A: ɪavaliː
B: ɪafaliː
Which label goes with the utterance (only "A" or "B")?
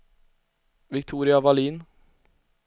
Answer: A